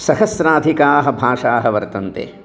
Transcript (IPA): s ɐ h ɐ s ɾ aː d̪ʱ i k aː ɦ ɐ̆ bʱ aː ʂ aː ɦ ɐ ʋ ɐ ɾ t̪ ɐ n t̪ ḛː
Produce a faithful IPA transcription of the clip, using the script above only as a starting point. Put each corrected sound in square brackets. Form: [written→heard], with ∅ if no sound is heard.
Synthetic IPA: s ɐ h ɐ s ɾ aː d̪ʱ i k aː ɦ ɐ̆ bʱ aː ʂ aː ɦ ɐ ʋ ɐ ɾ t̪ ɐ n t̪ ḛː